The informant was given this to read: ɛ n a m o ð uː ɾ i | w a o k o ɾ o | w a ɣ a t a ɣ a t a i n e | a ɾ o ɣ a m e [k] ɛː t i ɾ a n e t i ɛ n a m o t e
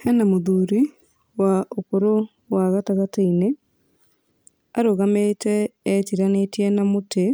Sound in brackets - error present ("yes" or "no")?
yes